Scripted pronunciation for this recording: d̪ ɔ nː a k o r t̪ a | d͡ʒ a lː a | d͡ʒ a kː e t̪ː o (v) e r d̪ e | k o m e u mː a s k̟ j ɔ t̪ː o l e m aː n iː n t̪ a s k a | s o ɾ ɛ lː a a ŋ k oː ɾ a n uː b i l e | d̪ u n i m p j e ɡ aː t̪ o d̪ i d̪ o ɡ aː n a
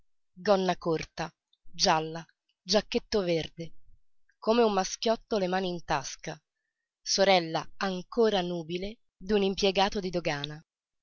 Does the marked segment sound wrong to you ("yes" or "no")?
no